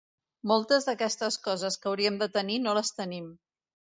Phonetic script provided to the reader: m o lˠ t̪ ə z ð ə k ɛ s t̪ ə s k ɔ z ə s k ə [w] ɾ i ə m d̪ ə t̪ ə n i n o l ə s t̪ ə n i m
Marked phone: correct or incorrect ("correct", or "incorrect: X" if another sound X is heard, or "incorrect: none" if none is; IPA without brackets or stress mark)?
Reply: correct